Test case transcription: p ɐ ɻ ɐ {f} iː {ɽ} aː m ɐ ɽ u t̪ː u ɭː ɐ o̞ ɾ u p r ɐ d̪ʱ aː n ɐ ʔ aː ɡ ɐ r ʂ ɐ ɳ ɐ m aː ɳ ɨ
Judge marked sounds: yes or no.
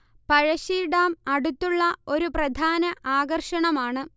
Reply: no, yes

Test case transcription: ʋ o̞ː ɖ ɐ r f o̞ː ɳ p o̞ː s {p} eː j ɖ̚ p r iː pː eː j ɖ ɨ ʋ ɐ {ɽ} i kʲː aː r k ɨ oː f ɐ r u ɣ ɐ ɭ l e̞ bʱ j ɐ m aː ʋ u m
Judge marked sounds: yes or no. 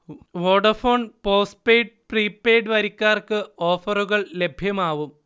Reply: yes, no

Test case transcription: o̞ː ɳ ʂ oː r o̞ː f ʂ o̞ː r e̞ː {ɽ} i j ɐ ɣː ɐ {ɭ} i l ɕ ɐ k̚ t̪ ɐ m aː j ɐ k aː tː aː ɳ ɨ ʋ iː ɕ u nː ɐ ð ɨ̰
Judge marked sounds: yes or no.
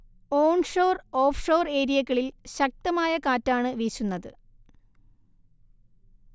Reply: no, yes

